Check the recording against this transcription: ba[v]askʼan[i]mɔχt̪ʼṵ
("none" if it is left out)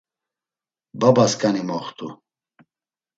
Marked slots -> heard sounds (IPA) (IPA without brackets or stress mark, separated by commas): b, i